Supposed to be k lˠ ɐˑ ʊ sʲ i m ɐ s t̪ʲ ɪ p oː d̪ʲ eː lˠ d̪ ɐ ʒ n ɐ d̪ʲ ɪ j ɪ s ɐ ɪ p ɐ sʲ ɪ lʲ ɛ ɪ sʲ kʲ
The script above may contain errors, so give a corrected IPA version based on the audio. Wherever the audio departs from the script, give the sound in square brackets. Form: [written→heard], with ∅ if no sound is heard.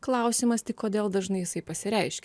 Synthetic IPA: k lˠ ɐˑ ʊ sʲ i m ɐ s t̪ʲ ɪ [p→k] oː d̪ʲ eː lˠ d̪ ɐ ʒ n ɐ [d̪ʲ→∅] ɪ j ɪ s ɐ ɪ p ɐ sʲ ɪ [lʲ→ɾʲ] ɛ ɪ [sʲ→ʃʲ] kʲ